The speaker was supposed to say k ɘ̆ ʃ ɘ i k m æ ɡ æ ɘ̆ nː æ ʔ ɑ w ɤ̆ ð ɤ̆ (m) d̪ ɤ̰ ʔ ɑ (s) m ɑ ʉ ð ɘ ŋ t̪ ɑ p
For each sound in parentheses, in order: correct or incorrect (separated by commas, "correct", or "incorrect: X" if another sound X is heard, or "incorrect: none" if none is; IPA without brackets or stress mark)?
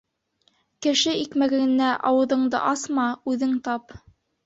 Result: incorrect: ɴ, correct